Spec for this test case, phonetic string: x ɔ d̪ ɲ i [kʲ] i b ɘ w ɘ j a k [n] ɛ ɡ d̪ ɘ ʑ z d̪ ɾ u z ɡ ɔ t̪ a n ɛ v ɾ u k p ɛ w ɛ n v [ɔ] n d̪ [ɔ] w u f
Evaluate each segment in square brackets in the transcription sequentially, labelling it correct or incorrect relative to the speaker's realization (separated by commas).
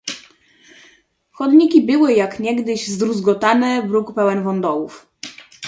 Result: correct, incorrect, correct, correct